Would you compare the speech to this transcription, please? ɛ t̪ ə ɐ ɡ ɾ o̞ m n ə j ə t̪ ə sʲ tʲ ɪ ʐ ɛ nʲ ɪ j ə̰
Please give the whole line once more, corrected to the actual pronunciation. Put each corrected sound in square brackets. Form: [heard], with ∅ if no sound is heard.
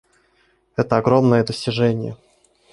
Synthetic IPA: ɛ t̪ ə ɐ ɡ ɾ o̞ m n ə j ə [d̪] ə sʲ tʲ ɪ ʐ ɛ nʲ ɪ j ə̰